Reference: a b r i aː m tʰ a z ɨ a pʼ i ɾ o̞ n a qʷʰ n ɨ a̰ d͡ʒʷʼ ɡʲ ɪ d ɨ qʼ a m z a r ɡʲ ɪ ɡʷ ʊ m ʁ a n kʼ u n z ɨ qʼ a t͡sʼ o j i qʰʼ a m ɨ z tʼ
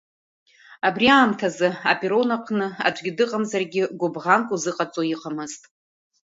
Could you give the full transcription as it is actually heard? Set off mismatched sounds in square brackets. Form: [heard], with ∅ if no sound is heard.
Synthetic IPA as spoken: a b r i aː m tʰ a z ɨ a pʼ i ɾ o̞ n a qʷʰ n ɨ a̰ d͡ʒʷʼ ɡʲ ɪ d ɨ qʼ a m z a r ɡʲ ɪ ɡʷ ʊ [b] ʁ a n kʼ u [∅] z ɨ qʼ a t͡sʼ o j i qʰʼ a m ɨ z tʼ